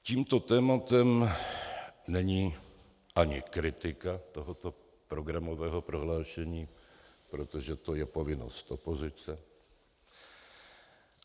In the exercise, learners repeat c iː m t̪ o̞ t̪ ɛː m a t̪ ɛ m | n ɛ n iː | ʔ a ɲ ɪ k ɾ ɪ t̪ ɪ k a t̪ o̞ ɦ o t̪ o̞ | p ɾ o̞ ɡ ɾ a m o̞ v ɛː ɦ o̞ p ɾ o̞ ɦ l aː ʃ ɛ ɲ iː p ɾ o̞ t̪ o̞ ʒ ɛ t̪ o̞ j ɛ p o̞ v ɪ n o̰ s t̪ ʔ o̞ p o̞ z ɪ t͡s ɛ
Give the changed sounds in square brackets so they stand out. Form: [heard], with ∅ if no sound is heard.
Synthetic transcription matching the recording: c iː m t̪ o̞ t̪ ɛː m a t̪ ɛ m | n ɛ [ɲ] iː | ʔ a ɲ ɪ k ɾ ɪ t̪ ɪ k a t̪ o̞ ɦ o t̪ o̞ | p ɾ o̞ ɡ ɾ a m o̞ v ɛː ɦ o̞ p ɾ o̞ ɦ l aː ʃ ɛ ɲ iː p ɾ o̞ t̪ o̞ ʒ ɛ t̪ o̞ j ɛ p o̞ v ɪ n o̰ s t̪ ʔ o̞ p o̞ z ɪ t͡s ɛ